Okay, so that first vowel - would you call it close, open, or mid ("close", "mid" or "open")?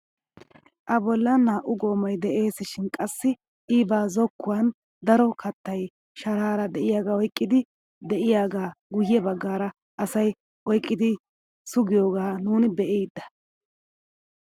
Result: open